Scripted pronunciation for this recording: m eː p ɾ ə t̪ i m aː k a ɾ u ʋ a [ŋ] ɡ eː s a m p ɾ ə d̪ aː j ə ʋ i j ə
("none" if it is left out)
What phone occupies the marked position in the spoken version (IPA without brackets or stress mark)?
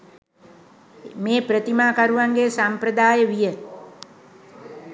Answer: ŋ